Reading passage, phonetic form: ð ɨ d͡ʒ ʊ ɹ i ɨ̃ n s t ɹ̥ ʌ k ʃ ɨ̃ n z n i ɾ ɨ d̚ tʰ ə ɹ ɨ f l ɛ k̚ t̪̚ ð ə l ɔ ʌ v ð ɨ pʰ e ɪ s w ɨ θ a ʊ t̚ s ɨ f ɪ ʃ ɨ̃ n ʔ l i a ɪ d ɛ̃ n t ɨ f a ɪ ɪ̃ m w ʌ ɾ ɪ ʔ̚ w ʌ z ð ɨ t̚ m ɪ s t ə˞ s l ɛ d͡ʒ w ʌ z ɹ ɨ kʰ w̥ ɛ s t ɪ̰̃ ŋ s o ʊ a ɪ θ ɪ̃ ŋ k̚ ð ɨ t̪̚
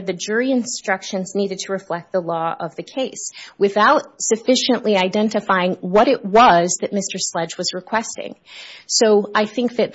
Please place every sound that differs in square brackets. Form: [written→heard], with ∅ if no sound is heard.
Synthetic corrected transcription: ð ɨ d͡ʒ ʊ ɹ i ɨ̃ n s t ɹ̥ ʌ k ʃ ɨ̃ n z n i ɾ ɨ d̚ tʰ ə ɹ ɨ f l ɛ k̚ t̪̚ ð ə l ɔ ʌ v ð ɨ [pʰ→kʰ] e ɪ s w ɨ θ a ʊ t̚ s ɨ f ɪ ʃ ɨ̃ n ʔ l i a ɪ d ɛ̃ n t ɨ f a ɪ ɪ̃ [m→ŋ] w ʌ ɾ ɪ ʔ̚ w ʌ z ð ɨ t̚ m ɪ s t ə˞ s l ɛ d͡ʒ w ʌ z ɹ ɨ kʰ w̥ ɛ s t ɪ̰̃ ŋ s o ʊ a ɪ θ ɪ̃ ŋ k̚ ð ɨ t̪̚

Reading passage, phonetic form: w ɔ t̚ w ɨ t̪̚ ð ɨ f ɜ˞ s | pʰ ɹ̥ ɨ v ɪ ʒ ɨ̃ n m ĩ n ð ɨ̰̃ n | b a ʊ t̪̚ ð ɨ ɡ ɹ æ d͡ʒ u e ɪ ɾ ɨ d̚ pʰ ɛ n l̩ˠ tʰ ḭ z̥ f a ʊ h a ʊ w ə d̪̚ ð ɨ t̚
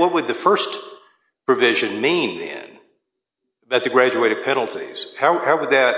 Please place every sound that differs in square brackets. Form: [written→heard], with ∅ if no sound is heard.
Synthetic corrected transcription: w [ɔ→ʌ] t̚ w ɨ [t̪̚→d̪̚] ð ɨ f ɜ˞ s | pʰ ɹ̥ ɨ v ɪ ʒ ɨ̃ n m ĩ n ð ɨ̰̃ n | b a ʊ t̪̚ ð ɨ ɡ ɹ æ d͡ʒ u e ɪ ɾ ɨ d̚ pʰ ɛ n l̩ˠ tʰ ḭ z̥ [f→h] a ʊ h a ʊ w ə d̪̚ ð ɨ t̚

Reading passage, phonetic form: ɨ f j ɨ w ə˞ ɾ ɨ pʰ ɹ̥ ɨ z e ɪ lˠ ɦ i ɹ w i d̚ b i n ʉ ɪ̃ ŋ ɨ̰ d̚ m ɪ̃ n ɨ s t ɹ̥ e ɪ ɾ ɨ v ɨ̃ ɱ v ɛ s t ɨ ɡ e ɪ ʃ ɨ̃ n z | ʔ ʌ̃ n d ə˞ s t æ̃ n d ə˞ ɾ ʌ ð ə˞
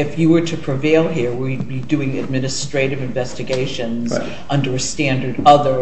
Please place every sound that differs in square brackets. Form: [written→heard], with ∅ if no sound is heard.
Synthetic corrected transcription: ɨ f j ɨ w ə˞ ɾ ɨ pʰ ɹ̥ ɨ [z→v] e ɪ lˠ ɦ i ɹ w i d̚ b i [n→d] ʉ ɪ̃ ŋ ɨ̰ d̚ m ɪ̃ n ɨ s t ɹ̥ e ɪ ɾ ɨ v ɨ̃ ɱ v ɛ s t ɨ ɡ e ɪ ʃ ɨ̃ n z | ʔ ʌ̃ n d ə˞ s t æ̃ n d ə˞ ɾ ʌ ð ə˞

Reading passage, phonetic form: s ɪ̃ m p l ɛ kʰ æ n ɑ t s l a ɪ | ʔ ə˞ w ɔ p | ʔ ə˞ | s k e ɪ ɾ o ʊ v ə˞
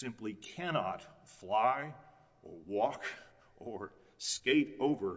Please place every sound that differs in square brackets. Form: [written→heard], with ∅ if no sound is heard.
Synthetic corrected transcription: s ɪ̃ m p l [ɛ→i] kʰ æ n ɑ t [s→f] l a ɪ | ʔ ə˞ w ɔ [p→k] | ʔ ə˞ | s k e ɪ ɾ o ʊ v ə˞

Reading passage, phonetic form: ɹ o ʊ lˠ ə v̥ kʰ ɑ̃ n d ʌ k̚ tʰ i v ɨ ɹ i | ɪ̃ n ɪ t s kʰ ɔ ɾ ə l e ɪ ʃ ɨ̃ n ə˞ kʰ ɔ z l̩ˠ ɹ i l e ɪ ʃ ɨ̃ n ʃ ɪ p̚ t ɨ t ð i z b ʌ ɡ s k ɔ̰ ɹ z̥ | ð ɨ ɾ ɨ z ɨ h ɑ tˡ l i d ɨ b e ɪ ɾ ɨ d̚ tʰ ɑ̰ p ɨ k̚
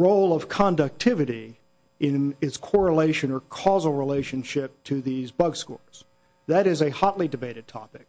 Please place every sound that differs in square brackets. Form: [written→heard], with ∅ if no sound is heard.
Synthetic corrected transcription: ɹ o ʊ lˠ [ə→ʌ] v̥ kʰ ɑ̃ n d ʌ k̚ tʰ [i→ɪ] v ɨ [ɹ→ɾ] i | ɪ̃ n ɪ t s kʰ ɔ [ɾ→ɹ] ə l e ɪ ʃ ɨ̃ n ə˞ kʰ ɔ z l̩ˠ ɹ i l e ɪ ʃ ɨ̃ n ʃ ɪ p̚ [t→tʰ] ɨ [t→∅] ð i z b ʌ ɡ s k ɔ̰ ɹ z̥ | ð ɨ ɾ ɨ z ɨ h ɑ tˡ l i d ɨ b e ɪ ɾ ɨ d̚ tʰ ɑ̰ p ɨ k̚

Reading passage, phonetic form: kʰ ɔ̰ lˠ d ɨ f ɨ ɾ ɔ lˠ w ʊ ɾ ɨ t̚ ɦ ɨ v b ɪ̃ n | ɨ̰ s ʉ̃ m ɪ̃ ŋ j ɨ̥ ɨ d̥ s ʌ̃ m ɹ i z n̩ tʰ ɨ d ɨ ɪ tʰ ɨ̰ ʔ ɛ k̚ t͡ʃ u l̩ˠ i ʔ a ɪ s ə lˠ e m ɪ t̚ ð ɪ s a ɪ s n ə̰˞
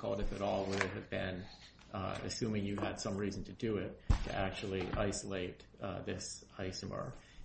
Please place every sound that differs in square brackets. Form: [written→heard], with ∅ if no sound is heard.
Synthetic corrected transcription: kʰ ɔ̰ lˠ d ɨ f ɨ ɾ ɔ lˠ w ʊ ɾ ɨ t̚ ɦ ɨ v b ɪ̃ n | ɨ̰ s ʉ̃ m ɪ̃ ŋ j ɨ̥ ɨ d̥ s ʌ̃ m ɹ i z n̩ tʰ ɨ d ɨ ɪ tʰ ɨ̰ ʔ [ɛ→æ] k̚ t͡ʃ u l̩ˠ i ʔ a ɪ s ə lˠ e [m→∅] ɪ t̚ ð ɪ s a ɪ s [n→m] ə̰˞

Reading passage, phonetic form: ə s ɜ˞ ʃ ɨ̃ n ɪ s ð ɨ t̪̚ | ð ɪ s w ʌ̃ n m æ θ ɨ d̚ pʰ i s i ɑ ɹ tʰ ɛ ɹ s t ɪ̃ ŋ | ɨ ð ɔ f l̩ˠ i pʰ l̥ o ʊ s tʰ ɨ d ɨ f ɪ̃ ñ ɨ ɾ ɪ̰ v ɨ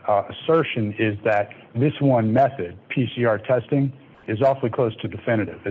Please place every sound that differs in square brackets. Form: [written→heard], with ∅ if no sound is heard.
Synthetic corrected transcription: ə s ɜ˞ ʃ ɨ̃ n ɪ [s→z] ð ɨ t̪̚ | ð ɪ s w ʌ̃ n m [æ→ɛ] θ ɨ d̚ pʰ i s i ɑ ɹ tʰ ɛ [ɹ→∅] s t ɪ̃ ŋ | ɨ [ð→z] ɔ f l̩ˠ i [pʰ→kʰ] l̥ o ʊ s tʰ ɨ d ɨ f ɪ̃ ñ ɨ ɾ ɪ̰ v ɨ

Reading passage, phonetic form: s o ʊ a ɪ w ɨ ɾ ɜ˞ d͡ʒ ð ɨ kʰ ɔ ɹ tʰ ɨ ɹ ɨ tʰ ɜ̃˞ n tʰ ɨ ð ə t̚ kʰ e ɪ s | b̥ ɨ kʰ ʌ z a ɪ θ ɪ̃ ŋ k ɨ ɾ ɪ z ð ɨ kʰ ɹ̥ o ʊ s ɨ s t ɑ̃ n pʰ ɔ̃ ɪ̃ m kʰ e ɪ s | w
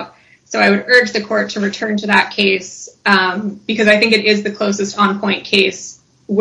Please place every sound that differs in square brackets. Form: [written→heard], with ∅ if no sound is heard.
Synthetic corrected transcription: s o ʊ a ɪ w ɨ ɾ ɜ˞ d͡ʒ ð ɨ kʰ ɔ ɹ tʰ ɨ ɹ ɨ tʰ ɜ̃˞ n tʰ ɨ ð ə t̚ kʰ e ɪ s | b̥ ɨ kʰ ʌ z a ɪ θ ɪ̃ ŋ k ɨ ɾ ɪ z ð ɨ kʰ [ɹ̥→l̥] o ʊ s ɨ s t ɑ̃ n pʰ ɔ̃ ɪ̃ [m→n] kʰ e ɪ s | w

